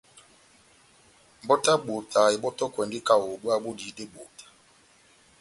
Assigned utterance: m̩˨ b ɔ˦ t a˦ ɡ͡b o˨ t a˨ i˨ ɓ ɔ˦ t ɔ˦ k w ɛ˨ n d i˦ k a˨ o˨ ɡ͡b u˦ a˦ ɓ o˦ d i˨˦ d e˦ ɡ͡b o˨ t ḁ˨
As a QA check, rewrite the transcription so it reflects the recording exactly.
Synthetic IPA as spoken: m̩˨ b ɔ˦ t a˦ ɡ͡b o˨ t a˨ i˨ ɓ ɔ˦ t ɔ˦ k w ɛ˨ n d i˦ k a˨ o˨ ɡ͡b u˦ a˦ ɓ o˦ d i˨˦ d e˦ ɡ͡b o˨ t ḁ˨